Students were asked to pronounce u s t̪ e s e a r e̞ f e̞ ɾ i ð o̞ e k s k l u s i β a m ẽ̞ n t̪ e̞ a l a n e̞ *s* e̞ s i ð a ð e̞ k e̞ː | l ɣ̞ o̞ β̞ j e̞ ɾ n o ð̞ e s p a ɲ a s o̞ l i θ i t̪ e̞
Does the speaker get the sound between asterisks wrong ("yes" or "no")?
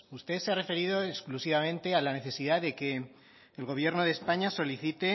yes